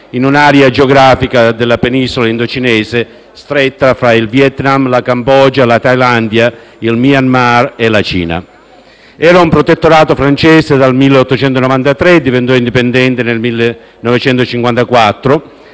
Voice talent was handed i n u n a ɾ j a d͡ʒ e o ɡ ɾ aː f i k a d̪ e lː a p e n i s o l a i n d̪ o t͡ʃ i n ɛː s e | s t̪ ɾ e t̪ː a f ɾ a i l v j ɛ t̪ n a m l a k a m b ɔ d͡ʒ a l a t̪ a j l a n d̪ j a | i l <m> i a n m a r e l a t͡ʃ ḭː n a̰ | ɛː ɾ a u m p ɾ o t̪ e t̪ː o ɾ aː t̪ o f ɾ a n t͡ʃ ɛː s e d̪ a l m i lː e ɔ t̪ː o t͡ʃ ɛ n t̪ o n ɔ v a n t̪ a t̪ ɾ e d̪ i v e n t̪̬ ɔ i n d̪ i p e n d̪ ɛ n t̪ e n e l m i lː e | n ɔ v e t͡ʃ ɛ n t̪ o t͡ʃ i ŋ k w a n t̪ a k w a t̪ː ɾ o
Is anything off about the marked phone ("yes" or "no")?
no